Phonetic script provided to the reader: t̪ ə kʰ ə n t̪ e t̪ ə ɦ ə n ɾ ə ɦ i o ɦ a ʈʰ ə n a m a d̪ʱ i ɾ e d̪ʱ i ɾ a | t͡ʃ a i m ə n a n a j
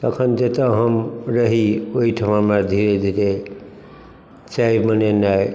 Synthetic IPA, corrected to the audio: t̪ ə kʰ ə n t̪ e t̪ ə ɦ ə m ɾ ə ɦ i o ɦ i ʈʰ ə m a m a d̪ʱ i ɾ e d̪ʱ i ɾ e | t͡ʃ a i m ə n e n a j